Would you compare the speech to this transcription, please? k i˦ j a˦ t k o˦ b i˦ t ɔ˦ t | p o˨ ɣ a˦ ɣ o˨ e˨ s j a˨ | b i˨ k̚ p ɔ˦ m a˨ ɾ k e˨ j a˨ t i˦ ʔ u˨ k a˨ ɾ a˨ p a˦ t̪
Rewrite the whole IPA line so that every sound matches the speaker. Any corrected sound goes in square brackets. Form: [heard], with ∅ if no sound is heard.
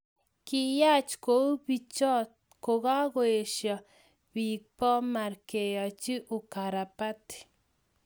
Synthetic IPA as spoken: k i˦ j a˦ [t͡ʃ] k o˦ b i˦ [t͡ʃ] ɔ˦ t | [k] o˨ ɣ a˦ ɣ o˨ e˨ [ʃ] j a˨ | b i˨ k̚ p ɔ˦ m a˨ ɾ k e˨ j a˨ [t͡ʃ] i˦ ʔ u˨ k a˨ ɾ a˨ p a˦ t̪